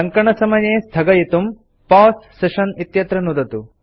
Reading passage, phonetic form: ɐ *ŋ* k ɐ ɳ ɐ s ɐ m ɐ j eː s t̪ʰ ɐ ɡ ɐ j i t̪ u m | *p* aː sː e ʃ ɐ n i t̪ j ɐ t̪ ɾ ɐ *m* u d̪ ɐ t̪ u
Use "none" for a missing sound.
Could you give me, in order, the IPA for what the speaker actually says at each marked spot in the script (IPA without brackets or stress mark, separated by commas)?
ŋ, p, n